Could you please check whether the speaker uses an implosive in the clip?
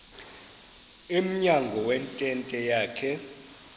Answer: no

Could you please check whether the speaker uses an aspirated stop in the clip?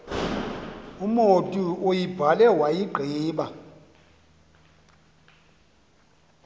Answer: no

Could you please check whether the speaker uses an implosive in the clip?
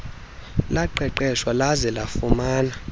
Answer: no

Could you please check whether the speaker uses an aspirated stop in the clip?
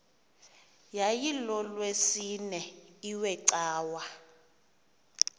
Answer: no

